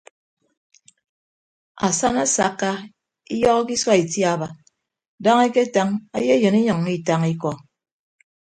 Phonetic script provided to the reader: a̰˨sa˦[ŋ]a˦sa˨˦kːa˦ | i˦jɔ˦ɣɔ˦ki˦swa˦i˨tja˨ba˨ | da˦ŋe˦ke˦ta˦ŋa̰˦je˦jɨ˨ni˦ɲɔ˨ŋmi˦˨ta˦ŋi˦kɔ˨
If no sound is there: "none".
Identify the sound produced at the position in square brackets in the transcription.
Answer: n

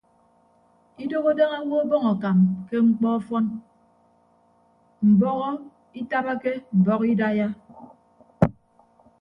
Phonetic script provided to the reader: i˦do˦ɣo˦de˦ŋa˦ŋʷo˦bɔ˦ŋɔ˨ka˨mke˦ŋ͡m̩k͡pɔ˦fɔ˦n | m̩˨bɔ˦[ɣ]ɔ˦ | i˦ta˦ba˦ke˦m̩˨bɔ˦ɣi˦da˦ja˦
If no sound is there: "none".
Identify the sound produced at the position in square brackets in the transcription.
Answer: ɣ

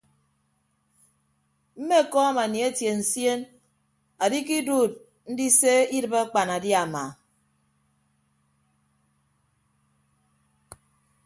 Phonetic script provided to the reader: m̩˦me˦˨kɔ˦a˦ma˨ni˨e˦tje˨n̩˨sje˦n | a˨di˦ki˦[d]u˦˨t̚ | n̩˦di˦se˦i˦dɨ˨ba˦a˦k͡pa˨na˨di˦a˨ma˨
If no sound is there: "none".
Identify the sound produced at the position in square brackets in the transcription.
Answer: d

